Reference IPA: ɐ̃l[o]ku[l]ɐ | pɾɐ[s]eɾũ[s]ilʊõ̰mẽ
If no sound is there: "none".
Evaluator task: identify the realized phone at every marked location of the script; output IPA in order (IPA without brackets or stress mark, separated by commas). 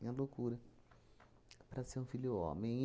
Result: o, ɾ, s, f